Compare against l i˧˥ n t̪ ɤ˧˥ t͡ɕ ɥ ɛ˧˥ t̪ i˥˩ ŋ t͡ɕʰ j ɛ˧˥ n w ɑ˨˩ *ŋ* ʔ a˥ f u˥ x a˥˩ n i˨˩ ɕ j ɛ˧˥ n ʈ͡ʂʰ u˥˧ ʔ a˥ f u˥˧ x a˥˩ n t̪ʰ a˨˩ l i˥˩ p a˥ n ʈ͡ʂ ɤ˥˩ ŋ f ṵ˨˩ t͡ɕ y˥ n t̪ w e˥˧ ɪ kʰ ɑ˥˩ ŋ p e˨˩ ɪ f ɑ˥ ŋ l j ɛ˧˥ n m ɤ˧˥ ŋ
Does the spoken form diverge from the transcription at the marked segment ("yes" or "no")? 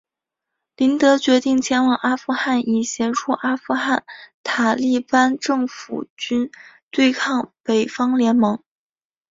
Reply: no